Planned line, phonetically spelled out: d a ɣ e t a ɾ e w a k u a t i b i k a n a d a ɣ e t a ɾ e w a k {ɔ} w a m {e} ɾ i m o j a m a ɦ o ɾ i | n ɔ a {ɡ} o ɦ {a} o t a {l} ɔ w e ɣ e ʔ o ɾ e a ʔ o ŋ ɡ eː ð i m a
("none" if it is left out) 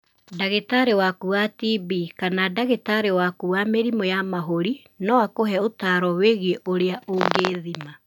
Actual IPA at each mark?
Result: u, e, k, ɛ, ɾ

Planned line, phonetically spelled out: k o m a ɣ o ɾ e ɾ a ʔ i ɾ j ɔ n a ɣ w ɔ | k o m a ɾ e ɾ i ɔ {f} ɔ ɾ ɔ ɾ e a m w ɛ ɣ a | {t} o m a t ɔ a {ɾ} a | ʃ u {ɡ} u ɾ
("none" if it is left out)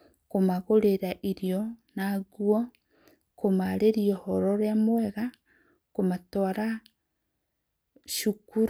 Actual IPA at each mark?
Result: h, k, ɾ, k

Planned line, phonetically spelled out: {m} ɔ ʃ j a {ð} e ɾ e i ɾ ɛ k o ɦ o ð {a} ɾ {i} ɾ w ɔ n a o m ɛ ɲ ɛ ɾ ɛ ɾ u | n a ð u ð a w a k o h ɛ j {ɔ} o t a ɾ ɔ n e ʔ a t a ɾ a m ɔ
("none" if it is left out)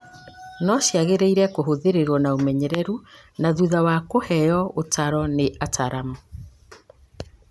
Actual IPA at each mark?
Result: n, ɣ, e, e, ɔ

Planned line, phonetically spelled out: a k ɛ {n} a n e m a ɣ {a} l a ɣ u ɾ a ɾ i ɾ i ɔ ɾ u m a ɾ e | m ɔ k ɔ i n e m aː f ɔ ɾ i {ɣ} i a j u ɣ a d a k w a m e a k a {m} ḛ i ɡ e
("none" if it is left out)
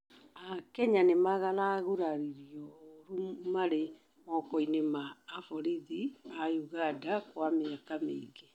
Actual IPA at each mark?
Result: ɲ, a, ð, m

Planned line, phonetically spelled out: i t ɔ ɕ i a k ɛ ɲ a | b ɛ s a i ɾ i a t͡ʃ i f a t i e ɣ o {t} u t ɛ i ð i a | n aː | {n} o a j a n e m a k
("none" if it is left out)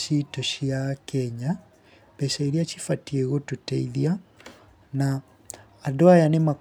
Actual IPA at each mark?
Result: t, d

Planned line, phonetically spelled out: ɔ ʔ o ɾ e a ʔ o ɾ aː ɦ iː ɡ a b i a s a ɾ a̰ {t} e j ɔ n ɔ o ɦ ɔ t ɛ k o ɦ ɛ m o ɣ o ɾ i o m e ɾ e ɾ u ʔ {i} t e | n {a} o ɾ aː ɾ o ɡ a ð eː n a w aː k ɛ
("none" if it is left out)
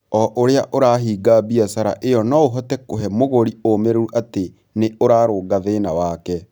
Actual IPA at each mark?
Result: ʔ, a, e

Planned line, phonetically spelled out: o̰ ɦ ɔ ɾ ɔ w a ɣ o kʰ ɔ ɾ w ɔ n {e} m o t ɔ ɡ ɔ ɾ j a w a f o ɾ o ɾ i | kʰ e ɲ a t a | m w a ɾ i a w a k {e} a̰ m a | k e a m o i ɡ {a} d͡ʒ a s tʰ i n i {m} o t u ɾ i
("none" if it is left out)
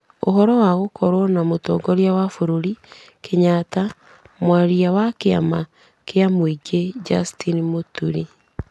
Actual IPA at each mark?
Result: a, e, e, m

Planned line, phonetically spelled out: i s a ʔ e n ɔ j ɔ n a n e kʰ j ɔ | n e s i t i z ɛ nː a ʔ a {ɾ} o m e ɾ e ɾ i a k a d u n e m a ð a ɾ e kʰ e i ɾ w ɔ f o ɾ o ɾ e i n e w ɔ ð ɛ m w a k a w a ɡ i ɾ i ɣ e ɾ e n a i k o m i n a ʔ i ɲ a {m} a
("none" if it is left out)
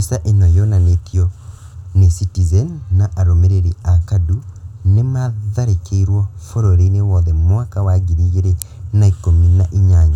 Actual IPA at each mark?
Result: ɾ, ɲ

